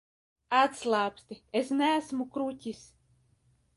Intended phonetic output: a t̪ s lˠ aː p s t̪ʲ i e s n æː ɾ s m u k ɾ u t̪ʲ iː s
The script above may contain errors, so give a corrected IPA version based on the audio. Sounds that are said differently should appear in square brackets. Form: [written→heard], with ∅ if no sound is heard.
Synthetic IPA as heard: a t̪ s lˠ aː p s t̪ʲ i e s n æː [ɾ→∅] s m u k ɾ u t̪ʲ [iː→i] s